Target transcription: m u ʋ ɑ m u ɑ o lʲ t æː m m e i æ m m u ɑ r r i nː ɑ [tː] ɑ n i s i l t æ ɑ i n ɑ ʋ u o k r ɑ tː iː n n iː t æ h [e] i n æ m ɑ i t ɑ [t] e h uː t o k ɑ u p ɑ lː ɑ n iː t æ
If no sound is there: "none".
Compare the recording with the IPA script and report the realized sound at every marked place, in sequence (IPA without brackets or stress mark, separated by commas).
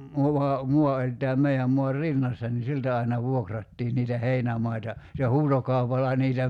sː, e, s